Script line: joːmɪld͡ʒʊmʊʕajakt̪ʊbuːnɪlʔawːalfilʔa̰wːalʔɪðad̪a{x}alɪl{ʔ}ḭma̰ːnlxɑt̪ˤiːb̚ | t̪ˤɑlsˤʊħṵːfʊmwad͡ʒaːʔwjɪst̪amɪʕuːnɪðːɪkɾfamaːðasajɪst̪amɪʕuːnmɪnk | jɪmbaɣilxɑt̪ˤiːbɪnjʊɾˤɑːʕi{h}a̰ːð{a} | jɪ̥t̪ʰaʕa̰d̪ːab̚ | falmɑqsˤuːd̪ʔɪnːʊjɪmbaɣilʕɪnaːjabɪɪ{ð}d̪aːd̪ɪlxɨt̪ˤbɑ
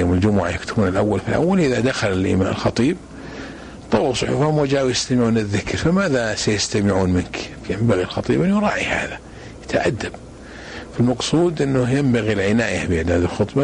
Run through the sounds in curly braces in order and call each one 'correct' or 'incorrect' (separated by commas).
correct, correct, correct, correct, incorrect